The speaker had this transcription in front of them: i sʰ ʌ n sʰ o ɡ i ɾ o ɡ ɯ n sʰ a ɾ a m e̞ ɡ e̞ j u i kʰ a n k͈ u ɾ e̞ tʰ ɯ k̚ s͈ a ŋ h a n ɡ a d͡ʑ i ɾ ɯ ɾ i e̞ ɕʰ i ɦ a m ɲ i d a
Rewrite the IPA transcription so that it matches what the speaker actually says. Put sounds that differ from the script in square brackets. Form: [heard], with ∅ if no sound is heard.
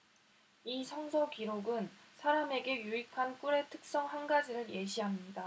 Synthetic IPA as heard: i sʰ ʌ [ŋ] sʰ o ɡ i ɾ o ɡ ɯ n sʰ a ɾ a m e̞ ɡ e̞ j u i kʰ a n k͈ u ɾ e̞ tʰ ɯ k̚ s͈ [ʌ] ŋ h a n ɡ a d͡ʑ i ɾ ɯ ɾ [j] e̞ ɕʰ i ɦ a m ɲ i d a